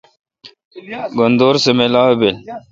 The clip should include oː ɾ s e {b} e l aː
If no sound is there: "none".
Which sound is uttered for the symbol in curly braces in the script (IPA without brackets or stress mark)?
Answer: m